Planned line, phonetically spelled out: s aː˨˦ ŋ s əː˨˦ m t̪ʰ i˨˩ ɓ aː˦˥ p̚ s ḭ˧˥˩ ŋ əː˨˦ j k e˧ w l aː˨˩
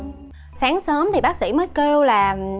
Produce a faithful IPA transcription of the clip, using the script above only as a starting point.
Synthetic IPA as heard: s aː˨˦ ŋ s əː˨˦ m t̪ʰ i˨˩ ɓ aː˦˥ k̚ s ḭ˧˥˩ m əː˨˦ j k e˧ w l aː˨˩